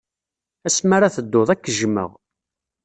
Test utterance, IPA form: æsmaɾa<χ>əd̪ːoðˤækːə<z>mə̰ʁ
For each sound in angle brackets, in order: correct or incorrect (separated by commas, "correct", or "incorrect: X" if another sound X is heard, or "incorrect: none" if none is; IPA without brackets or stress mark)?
incorrect: θ, incorrect: ʒ